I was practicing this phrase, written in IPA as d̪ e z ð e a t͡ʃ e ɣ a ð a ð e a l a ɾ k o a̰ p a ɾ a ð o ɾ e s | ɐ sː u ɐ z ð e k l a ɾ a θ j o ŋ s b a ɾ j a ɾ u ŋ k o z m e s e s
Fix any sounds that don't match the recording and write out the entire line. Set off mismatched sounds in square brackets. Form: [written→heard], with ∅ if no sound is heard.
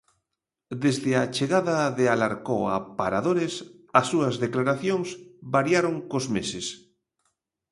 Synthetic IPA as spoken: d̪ e z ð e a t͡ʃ e ɣ a ð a ð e a l a ɾ k o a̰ p a ɾ a ð o ɾ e s | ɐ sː u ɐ z ð e k l a ɾ a θ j o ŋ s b a ɾ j a ɾ [u→o] ŋ k o z m e s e s